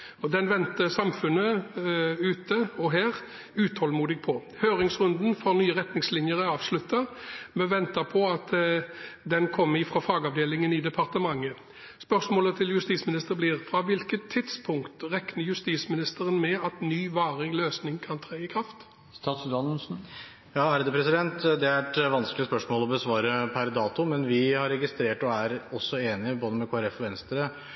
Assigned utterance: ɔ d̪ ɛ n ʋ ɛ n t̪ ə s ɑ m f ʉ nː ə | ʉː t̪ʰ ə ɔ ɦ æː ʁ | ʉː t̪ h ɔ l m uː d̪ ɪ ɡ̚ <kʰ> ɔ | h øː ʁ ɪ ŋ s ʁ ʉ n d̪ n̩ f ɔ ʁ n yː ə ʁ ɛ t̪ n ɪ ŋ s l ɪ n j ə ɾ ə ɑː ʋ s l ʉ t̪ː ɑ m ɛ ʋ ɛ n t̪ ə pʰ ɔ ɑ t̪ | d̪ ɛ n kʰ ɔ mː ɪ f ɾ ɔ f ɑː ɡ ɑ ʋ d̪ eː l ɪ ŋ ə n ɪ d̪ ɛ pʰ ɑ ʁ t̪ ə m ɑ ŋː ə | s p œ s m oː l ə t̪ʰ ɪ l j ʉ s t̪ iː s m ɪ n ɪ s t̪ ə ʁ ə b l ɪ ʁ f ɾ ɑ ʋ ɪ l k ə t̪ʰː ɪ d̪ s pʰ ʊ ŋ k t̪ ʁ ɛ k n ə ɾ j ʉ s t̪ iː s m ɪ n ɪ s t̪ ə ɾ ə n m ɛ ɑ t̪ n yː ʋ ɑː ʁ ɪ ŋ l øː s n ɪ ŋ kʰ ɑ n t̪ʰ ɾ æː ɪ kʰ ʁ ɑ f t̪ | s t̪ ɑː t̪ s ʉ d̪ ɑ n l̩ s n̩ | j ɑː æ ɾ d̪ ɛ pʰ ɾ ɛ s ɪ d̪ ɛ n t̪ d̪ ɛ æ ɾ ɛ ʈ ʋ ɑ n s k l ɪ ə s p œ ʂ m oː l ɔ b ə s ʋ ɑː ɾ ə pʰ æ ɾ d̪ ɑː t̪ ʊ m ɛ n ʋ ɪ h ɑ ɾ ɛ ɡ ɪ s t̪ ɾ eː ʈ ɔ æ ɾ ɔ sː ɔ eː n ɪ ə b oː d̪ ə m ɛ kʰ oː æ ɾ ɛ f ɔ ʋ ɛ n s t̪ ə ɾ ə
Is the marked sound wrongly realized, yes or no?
yes